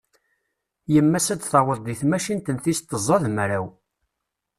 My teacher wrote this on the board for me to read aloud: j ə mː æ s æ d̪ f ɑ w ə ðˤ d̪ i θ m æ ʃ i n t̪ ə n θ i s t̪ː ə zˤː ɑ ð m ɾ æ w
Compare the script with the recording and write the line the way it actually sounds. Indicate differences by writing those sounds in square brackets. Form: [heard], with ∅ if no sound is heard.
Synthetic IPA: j ə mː æ s æ d̪ [θ] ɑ w ə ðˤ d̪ i θ m æ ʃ i n t̪ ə n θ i s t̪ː ə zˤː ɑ ð m ɾ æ w